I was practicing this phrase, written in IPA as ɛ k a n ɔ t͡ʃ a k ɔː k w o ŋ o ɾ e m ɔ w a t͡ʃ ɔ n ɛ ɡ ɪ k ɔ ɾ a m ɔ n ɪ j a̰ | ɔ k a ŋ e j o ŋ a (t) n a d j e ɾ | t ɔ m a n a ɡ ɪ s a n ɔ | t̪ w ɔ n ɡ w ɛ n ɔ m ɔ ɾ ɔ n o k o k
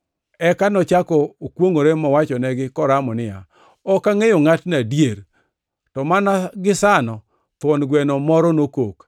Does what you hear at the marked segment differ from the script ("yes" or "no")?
no